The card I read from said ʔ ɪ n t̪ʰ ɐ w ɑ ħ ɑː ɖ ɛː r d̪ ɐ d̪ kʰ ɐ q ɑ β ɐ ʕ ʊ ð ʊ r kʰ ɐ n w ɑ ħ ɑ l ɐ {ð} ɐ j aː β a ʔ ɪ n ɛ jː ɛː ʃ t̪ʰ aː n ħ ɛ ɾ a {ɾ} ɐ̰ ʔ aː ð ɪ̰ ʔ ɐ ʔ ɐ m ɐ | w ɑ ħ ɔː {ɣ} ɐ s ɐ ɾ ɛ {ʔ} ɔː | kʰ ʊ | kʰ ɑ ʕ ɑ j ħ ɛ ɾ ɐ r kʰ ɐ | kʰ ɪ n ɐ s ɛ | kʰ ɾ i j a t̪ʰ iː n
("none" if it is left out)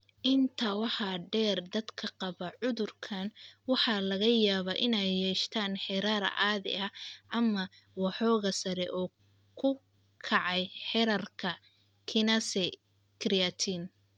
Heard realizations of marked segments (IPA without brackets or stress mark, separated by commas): ɣ, ɾ, ɣ, ʔ